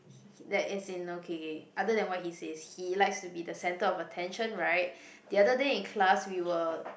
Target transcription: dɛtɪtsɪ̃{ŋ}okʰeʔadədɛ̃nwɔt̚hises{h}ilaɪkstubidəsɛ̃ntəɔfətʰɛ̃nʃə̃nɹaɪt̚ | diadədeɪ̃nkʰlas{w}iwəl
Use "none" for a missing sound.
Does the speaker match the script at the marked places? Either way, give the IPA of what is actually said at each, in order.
n, h, w

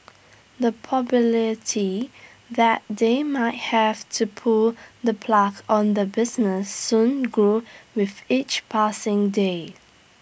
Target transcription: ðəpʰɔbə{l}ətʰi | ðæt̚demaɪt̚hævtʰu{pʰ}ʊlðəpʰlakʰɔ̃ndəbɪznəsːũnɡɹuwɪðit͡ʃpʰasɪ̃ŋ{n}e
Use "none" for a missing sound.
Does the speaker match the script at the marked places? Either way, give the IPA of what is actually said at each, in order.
l, pʰ, d

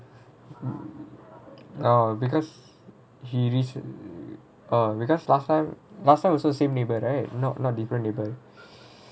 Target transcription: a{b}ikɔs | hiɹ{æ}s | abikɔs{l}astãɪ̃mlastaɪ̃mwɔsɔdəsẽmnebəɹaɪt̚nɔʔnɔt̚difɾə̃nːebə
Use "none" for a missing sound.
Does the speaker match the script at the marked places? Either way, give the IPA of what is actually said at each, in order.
b, i, l

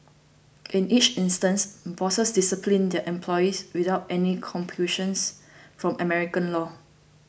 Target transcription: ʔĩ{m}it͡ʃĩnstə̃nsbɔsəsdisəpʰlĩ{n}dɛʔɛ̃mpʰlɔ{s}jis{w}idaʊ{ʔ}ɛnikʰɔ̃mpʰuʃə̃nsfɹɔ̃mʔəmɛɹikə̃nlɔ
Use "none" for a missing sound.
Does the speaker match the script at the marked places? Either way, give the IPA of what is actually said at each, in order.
n, n, none, w, t

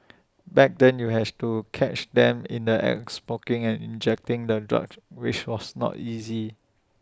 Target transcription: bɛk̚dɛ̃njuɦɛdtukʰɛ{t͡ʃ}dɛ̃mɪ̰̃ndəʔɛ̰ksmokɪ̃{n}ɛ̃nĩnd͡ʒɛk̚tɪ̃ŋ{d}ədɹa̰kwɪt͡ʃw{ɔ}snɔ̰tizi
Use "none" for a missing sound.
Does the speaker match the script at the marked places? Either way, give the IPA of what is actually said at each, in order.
t͡ʃ, ŋ, d, ɔ

